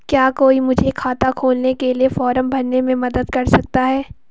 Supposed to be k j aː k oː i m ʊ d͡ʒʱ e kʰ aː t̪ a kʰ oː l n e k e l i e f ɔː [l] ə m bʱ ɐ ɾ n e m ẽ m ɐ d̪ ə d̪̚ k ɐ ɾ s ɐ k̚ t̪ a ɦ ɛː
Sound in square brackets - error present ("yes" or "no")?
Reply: yes